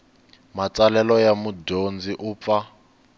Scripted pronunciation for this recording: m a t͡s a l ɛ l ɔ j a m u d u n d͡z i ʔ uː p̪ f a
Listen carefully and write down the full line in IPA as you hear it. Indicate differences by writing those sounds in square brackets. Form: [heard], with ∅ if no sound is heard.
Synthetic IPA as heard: m a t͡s a l ɛ l ɔ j a m u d [o] n d͡z i ʔ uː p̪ f a